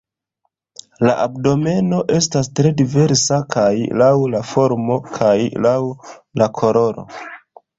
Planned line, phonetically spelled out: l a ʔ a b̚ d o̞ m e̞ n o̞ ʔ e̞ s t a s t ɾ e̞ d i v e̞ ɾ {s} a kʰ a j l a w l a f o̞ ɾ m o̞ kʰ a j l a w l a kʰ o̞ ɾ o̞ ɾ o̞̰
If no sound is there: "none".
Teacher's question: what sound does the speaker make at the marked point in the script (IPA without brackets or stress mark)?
s